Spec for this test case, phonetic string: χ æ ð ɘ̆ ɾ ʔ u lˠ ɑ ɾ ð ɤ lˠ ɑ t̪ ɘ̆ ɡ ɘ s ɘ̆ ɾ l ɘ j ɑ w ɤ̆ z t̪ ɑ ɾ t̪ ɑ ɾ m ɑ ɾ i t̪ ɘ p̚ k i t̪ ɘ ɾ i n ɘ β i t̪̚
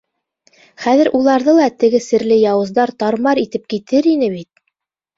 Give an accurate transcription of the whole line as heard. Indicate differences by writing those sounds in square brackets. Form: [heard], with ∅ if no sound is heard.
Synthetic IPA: χ æ ð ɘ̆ ɾ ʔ u lˠ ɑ ɾ ð ɤ lˠ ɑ t̪ ɘ̆ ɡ ɘ s ɘ̆ ɾ l ɘ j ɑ w ɤ̆ z [d̪] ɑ ɾ t̪ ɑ ɾ m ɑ ɾ i t̪ ɘ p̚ k i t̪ ɘ ɾ i n ɘ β i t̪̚